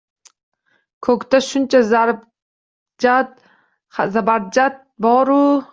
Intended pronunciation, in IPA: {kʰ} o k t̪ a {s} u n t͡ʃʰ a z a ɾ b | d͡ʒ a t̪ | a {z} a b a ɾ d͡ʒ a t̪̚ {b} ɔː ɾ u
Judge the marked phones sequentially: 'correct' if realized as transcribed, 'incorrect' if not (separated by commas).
correct, incorrect, correct, correct